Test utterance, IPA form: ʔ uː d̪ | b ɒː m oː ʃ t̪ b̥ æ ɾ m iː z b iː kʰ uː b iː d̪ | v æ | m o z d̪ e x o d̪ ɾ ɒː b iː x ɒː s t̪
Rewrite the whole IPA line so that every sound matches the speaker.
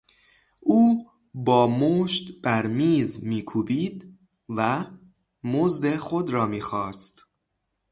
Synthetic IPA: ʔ uː | b ɒː m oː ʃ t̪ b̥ æ ɾ m iː z m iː kʰ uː b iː d̪ | v æ | m o z d̪ e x o d̪ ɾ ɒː m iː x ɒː s t̪